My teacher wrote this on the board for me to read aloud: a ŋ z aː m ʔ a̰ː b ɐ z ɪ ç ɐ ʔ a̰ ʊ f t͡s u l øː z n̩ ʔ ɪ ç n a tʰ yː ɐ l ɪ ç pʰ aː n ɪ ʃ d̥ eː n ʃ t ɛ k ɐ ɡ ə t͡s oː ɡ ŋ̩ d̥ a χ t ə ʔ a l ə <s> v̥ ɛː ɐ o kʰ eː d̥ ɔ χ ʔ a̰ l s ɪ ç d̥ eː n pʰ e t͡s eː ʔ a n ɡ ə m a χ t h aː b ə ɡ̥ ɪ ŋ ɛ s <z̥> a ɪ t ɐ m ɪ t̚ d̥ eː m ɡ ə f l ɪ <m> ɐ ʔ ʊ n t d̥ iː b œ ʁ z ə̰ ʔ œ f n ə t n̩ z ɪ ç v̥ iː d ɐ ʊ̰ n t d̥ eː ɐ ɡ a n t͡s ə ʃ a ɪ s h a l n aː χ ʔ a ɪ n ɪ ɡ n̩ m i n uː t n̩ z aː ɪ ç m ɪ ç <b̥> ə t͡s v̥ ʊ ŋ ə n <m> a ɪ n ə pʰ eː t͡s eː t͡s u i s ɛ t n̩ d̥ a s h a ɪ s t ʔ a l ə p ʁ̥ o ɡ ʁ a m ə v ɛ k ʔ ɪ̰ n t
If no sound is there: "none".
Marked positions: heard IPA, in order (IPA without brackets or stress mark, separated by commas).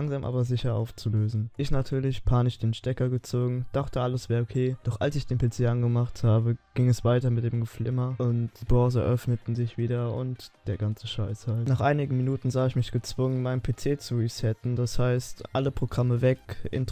s, v̥, m, ɡ̥, m